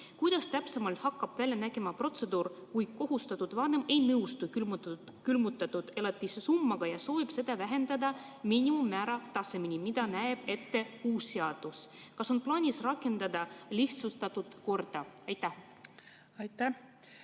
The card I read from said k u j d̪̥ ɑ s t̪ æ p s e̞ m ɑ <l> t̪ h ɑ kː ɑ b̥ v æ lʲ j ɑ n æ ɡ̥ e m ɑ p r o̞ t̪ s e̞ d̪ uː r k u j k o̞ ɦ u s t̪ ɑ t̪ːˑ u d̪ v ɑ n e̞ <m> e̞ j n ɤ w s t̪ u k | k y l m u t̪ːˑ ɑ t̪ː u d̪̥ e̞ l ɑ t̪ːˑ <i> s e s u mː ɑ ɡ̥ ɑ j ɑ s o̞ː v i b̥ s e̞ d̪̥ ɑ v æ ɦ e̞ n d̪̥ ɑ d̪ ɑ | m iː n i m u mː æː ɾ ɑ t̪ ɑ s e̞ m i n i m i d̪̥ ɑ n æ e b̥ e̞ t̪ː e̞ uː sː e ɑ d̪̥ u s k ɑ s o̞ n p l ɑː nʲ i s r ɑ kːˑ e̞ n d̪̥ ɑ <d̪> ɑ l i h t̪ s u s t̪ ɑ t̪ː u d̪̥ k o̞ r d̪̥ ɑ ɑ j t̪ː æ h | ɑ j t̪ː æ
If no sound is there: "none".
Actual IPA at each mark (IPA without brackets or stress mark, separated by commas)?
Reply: l, m, i, d̪